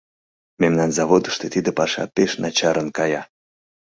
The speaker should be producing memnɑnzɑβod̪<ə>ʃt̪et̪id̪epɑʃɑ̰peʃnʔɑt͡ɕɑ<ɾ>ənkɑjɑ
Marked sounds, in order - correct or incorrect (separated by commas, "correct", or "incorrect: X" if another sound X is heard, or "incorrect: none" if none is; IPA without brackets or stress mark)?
correct, correct